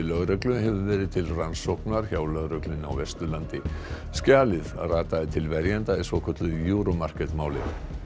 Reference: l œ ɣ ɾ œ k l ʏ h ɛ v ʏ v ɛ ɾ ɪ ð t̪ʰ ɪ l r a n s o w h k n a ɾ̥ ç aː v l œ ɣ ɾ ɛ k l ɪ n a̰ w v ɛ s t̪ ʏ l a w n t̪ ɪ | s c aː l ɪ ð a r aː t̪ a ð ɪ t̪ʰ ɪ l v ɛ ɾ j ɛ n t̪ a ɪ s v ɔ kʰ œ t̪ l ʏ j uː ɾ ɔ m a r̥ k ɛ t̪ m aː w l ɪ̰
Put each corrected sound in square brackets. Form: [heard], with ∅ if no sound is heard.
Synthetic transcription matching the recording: l œ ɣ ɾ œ k l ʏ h ɛ v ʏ v [ɛː] ɾ ɪ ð t̪ʰ ɪ l r a n s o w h k n a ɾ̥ ç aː [w] l œ ɣ ɾ [œ] k l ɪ n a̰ w v ɛ s t̪ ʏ l a [∅] n t̪ ɪ | s c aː l ɪ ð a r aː t̪ a ð ɪ t̪ʰ ɪ l v ɛ ɾ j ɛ n t̪ a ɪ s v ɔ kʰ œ t̪ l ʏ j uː ɾ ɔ m a r̥ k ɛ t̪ m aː w l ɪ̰

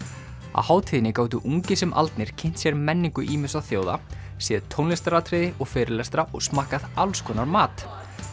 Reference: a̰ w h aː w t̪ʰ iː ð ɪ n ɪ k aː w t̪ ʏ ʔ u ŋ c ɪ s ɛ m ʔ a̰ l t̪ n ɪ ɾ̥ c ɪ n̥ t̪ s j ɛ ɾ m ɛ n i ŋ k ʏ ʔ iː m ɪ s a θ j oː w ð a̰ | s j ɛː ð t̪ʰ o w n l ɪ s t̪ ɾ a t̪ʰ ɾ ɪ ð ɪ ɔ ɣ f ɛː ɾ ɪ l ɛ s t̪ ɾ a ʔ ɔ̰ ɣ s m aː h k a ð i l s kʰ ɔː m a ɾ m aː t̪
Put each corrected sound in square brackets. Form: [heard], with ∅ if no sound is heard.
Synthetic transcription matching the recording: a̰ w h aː w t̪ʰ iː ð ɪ n ɪ k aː w t̪ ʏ ʔ u ŋ c ɪ s ɛ m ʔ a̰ l t̪ n ɪ ɾ̥ [cʰ] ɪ n̥ t̪ s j ɛ ɾ m ɛ [nː] i ŋ k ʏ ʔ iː m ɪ s a θ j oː w ð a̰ | s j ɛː ð t̪ʰ o w n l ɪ s t̪ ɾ a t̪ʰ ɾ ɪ ð ɪ ɔ ɣ f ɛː ɾ ɪ l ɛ s t̪ ɾ a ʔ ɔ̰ ɣ s m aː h k a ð [a] l s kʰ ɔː [n] a ɾ m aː t̪

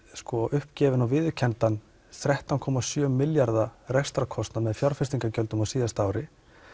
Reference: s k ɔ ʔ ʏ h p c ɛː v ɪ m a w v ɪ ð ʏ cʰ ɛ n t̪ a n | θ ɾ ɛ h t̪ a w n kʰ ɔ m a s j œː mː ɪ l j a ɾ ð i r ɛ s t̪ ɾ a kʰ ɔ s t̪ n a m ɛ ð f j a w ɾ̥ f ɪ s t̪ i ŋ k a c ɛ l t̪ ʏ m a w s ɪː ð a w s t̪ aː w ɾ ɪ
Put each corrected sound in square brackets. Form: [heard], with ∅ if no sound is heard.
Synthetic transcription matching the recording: s k ɔ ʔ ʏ h p c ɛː v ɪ [n] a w v ɪ ð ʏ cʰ ɛ n t̪ a n | θ ɾ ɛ h t̪ a w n kʰ ɔ m a s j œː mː ɪ l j a ɾ ð [a] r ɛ s t̪ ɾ a kʰ ɔ s t̪ n a m ɛ ð f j a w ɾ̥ f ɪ s t̪ i ŋ k a c [œ] l t̪ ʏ m a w s [iː] ð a [∅] s t̪ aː w ɾ ɪ

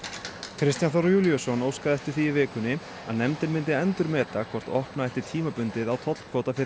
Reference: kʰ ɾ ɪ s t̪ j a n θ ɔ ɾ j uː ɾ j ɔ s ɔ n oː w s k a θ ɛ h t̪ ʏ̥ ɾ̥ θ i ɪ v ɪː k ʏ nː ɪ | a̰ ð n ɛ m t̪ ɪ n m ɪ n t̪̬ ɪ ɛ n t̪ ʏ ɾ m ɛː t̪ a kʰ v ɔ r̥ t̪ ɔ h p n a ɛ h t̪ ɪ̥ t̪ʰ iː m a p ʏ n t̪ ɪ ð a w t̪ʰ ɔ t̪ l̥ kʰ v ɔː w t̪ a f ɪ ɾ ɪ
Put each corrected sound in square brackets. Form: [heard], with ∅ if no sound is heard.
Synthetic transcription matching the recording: kʰ ɾ ɪ s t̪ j a n θ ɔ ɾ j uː [l] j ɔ s ɔ n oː w s k a [ð] ɛ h t̪ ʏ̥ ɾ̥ θ i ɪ v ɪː k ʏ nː ɪ | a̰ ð n ɛ m t̪ ɪ n m ɪ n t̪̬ ɪ ɛ n t̪ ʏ ɾ m ɛː t̪ a kʰ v ɔ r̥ t̪ ɔ h p n a ɛ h t̪ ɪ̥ t̪ʰ iː m a p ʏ n t̪ ɪ ð a w t̪ʰ ɔ t̪ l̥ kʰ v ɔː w t̪ a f ɪ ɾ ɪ

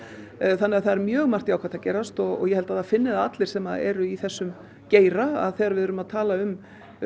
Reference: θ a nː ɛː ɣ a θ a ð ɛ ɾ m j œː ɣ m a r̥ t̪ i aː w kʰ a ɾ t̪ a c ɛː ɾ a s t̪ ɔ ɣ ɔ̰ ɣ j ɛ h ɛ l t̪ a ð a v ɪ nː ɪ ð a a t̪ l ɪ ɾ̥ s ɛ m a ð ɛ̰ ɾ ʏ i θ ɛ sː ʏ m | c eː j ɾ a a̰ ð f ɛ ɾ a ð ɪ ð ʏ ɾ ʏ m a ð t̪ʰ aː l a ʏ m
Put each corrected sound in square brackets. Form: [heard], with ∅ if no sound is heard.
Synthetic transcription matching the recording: θ a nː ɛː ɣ a θ a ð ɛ ɾ m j œː ɣ m a r̥ t̪ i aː w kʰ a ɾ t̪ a c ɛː ɾ a s t̪ ɔ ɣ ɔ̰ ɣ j ɛ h ɛ l t̪ a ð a [f] ɪ nː ɪ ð a a t̪ l ɪ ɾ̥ s ɛ m a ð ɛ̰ ɾ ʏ i θ ɛ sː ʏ m | c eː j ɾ a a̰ ð [θ] ɛ ɾ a [v] ɪ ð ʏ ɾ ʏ m a ð t̪ʰ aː l a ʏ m

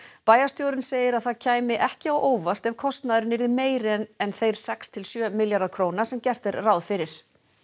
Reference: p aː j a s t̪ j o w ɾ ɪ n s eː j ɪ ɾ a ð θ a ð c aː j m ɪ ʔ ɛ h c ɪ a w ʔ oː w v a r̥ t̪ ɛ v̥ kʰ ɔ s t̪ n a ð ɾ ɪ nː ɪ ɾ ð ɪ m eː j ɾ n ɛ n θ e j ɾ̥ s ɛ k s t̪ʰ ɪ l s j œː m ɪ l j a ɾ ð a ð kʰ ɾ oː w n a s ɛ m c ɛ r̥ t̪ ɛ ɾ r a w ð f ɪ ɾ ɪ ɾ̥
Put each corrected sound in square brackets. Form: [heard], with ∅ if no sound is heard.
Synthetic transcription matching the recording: p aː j a s t̪ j o w ɾ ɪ n s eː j ɪ ɾ a ð θ a ð [cʰ] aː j m ɪ ʔ ɛ h c ɪ a w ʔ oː w v a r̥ t̪ ɛ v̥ kʰ ɔ s t̪ n a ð ɾ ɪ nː ɪ ɾ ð ɪ m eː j ɾ n ɛ n θ e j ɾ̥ s ɛ k s t̪ʰ ɪ l s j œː m ɪ l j a ɾ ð a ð kʰ ɾ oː w n a s ɛ m c ɛ r̥ t̪ ɛ ɾ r a w ð f ɪ ɾ ɪ ɾ̥

